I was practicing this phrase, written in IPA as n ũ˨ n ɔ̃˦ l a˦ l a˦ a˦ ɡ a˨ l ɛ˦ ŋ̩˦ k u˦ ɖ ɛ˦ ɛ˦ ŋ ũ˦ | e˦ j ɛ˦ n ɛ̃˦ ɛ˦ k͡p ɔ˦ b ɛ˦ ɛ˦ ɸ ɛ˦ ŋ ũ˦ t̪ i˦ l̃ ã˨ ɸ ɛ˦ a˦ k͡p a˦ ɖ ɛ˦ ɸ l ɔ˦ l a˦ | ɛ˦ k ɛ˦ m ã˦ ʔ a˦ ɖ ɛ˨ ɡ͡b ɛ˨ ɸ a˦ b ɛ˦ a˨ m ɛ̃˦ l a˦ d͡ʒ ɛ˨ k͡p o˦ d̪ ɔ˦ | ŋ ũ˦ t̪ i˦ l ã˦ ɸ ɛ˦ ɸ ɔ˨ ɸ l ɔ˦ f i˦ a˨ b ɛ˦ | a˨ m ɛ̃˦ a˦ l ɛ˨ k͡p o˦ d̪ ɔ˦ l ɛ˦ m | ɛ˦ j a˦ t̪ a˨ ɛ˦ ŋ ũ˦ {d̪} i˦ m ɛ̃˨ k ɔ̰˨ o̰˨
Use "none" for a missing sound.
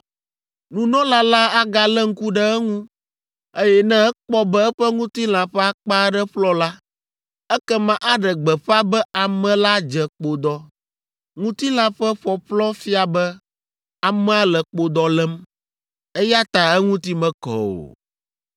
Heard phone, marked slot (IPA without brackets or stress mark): t̪